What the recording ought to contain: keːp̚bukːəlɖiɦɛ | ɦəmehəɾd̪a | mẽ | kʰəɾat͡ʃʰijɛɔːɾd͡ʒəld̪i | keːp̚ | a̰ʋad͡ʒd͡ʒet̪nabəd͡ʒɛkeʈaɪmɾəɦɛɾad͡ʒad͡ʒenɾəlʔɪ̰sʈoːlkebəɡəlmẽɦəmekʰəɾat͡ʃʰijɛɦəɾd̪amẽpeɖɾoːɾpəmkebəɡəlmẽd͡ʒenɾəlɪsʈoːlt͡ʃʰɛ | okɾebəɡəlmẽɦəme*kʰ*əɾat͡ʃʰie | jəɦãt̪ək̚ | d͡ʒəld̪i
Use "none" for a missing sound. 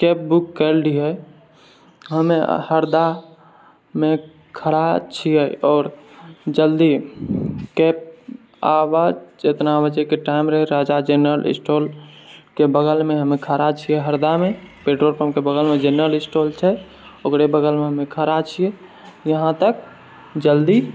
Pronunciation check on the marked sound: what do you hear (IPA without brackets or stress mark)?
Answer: kʰ